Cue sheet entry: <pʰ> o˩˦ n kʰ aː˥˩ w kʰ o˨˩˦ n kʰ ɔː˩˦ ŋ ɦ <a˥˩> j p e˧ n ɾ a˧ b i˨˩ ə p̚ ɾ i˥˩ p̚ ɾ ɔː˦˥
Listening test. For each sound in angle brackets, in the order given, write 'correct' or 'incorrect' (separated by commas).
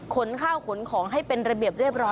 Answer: incorrect, correct